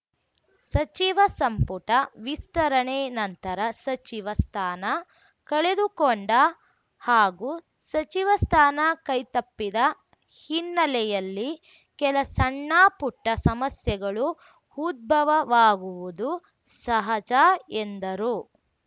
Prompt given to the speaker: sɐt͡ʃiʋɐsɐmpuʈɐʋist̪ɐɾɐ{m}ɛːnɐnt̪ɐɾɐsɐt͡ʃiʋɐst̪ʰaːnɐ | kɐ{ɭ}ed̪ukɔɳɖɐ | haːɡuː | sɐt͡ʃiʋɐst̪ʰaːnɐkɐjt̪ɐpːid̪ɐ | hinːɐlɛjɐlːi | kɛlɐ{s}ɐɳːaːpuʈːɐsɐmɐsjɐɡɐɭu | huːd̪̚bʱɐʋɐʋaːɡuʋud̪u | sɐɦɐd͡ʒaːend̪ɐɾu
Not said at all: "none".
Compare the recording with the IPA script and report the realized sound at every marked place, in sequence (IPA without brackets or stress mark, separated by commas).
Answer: ɳ, ɭ, s